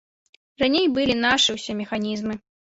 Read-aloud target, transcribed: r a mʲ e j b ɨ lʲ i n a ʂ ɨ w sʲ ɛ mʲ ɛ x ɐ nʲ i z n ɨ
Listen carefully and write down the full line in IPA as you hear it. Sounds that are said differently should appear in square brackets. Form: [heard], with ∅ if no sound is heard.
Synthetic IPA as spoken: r a [nʲ] e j b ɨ lʲ i n a ʂ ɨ w sʲ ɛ mʲ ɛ x [a] nʲ i z [m] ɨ